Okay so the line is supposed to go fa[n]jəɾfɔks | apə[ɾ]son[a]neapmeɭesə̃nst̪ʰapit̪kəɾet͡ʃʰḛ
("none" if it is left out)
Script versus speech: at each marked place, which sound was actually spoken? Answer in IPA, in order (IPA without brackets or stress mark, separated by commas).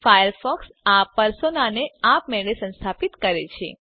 none, ɾ, a